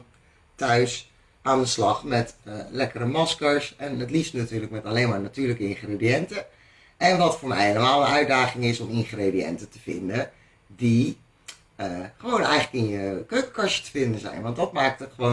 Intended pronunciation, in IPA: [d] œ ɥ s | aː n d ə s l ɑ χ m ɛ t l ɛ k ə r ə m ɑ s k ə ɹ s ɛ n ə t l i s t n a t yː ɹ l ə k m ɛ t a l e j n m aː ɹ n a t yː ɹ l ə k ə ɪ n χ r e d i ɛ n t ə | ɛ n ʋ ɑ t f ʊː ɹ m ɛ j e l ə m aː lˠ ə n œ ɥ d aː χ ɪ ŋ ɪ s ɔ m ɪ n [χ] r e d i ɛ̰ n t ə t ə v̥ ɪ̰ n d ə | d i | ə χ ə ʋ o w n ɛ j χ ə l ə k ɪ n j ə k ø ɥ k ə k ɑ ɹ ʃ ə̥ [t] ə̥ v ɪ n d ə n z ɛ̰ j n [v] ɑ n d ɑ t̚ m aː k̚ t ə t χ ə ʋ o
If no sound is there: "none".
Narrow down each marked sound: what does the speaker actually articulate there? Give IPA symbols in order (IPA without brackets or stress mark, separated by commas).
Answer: t, χ, t, ʋ